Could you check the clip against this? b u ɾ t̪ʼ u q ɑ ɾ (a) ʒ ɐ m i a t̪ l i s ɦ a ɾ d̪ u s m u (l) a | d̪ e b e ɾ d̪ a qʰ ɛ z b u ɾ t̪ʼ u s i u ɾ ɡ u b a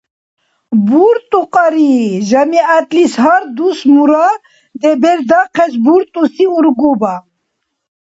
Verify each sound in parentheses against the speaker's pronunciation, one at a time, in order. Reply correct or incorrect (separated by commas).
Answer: incorrect, incorrect